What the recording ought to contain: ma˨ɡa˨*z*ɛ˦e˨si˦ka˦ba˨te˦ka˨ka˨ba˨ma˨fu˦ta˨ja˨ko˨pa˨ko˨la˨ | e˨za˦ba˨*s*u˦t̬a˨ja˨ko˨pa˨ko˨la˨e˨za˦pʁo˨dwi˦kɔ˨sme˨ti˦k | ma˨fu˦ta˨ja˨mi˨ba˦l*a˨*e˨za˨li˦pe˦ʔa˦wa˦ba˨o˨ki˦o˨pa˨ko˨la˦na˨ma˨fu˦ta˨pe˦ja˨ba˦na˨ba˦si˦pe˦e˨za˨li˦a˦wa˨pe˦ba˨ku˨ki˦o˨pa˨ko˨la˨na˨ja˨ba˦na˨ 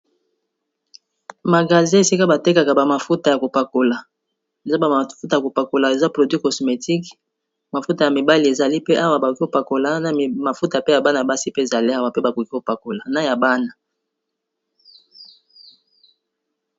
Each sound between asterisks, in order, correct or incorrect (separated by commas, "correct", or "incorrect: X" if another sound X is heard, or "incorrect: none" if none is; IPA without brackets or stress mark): correct, incorrect: f, incorrect: i˨